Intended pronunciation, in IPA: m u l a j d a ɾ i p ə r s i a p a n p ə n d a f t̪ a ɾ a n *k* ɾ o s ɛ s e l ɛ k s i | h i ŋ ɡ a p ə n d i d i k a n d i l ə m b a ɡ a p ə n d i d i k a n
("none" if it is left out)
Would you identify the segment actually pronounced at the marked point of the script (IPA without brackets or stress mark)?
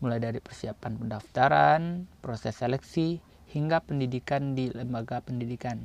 p